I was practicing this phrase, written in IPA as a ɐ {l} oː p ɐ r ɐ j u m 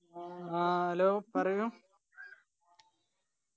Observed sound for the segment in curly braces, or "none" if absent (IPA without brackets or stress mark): l